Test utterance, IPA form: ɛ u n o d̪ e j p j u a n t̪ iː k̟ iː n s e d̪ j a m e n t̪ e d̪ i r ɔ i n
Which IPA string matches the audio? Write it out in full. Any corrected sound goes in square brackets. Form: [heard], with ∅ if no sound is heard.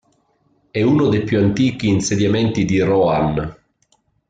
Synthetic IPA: ɛ u n o d̪ e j p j u a n t̪ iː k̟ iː n s e d̪ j a m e n t̪ [i] d̪ i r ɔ [a] n